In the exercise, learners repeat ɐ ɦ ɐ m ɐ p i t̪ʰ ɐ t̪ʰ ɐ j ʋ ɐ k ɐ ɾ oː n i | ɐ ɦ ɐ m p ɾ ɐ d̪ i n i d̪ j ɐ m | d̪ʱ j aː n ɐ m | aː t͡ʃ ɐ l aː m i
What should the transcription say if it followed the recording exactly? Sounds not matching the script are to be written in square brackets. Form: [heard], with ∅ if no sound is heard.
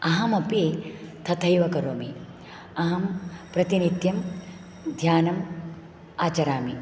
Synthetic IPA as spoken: ɐ ɦ ɐ m ɐ p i t̪ʰ ɐ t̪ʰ ɐ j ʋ ɐ k ɐ ɾ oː [m] i | ɐ ɦ ɐ m p ɾ ɐ [t̪] i n i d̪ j ɐ m | d̪ʱ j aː n ɐ m | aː t͡ʃ ɐ [ɾ] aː m i